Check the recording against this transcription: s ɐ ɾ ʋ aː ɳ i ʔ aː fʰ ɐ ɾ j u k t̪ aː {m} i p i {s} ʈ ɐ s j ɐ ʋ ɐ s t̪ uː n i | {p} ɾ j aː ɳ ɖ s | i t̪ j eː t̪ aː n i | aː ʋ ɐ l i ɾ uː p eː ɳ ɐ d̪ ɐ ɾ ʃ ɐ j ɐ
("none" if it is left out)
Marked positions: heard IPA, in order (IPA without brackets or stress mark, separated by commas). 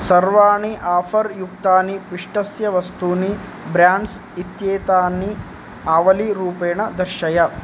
n, ʂ, b